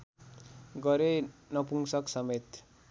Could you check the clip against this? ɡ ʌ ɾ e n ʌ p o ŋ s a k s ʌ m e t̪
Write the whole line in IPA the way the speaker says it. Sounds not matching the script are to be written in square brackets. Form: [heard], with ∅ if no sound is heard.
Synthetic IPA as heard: ɡ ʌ ɾ e n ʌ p [u] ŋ s [ʌ] k s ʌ m e t̪